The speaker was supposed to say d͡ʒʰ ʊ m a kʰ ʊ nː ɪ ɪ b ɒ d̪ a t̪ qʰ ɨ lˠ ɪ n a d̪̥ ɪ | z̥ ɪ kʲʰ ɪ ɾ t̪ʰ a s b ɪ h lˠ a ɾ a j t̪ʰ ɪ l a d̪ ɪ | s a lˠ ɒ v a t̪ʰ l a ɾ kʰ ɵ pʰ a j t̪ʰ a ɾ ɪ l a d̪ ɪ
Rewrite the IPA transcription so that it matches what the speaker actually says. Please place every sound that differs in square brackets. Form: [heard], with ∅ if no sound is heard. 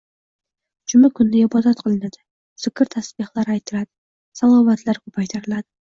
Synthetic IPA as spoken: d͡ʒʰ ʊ m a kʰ ʊ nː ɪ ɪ b ɒ d̪ a t̪ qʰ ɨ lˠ ɪ n a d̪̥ ɪ | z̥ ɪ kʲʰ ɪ ɾ t̪ʰ a s b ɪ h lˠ a ɾ a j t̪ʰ ɪ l a d̪ ɪ | s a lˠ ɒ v a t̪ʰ l a ɾ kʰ ɵ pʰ a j t̪ʰ a ɾ ɪ l a d̪ ɪ